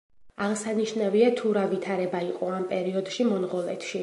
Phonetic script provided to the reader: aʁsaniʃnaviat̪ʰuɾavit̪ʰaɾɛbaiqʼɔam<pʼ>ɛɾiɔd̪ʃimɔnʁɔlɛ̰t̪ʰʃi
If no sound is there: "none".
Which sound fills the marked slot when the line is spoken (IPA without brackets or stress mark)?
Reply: pʼ